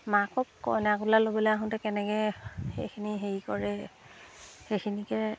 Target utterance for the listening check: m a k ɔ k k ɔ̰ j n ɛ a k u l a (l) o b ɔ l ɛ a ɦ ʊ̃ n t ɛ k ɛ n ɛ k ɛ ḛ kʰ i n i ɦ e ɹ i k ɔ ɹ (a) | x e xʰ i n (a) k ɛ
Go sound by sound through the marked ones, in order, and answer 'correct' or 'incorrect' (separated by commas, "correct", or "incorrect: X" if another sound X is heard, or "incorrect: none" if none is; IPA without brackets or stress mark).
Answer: correct, incorrect: ɛ, incorrect: i